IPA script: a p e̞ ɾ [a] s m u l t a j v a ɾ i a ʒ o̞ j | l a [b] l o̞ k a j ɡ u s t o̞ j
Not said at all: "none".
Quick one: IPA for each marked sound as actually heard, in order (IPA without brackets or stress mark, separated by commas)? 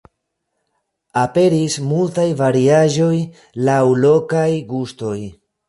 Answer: i, w